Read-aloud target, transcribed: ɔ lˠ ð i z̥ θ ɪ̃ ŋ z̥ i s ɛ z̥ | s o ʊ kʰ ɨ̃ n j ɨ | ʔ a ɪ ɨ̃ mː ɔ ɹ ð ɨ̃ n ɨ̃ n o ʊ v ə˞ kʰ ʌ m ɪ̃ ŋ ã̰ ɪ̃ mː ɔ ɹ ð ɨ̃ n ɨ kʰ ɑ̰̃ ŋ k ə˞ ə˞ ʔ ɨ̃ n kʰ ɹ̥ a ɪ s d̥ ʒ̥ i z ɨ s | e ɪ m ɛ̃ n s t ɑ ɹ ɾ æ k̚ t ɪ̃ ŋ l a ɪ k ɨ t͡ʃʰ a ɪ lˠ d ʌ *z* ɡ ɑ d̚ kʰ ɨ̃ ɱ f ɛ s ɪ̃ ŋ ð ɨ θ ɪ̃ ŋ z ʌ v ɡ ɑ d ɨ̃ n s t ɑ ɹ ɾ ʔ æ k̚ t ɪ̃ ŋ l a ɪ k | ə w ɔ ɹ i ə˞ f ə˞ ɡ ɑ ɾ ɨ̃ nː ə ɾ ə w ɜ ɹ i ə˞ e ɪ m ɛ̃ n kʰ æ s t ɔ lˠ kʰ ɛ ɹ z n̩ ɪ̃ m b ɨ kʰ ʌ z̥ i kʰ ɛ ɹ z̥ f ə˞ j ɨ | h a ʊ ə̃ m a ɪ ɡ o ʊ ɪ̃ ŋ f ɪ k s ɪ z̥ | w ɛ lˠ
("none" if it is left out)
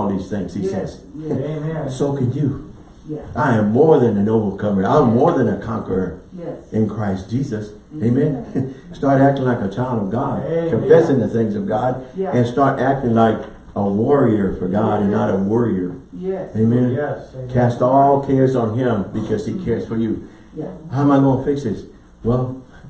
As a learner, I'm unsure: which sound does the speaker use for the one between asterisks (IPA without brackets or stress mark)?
v